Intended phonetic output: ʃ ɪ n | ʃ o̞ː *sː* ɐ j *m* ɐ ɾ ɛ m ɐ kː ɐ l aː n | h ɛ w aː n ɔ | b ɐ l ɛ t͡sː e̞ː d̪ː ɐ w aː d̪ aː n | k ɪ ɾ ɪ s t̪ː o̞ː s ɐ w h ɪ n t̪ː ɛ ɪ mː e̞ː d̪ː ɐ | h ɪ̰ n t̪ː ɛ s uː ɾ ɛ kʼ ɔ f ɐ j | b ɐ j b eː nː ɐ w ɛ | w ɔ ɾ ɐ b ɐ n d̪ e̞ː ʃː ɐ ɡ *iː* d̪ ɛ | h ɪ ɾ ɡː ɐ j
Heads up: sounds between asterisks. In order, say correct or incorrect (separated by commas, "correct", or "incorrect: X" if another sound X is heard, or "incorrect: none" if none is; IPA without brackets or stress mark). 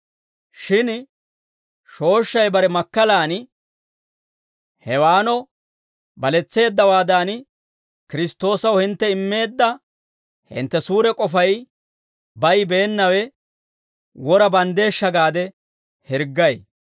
incorrect: ʃː, incorrect: b, incorrect: aː